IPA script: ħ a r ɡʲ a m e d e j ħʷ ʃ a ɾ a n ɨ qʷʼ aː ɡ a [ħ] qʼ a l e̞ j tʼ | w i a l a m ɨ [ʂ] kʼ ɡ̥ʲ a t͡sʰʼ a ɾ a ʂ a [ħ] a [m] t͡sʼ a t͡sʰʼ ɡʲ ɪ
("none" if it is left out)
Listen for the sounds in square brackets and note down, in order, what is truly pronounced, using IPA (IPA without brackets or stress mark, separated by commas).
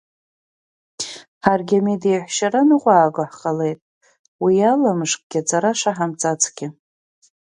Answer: ħ, ʂ, ħ, m